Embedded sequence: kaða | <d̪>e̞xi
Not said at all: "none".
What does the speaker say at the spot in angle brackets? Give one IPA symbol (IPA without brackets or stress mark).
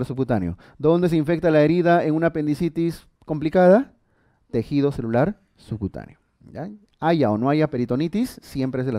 t̪